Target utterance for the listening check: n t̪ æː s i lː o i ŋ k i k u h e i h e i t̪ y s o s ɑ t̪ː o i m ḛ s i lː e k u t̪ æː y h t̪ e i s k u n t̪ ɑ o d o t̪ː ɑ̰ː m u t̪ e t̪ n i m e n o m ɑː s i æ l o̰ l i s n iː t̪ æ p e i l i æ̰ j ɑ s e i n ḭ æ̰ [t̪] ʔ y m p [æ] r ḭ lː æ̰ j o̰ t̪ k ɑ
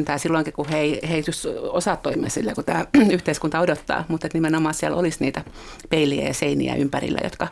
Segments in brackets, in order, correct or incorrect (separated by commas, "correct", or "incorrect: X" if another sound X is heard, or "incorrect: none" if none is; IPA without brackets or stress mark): incorrect: none, correct